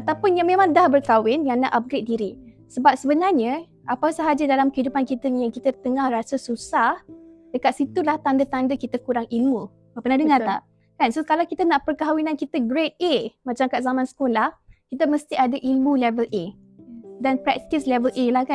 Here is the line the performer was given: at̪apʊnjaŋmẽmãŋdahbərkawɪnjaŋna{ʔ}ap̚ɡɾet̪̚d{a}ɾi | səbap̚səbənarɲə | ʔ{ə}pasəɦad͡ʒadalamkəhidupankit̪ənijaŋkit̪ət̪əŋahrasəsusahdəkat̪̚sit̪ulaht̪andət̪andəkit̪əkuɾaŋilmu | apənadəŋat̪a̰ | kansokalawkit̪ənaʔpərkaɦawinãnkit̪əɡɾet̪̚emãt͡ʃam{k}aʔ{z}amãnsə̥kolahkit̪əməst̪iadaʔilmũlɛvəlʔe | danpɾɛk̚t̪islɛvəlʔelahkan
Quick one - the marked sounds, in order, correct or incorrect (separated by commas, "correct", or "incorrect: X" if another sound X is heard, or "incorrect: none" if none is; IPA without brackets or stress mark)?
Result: correct, incorrect: i, incorrect: a, correct, correct